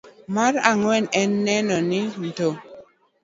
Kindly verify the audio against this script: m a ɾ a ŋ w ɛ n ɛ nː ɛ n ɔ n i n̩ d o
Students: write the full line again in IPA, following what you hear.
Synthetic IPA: m a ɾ a ŋ w ɛ n ɛ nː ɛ n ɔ n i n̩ t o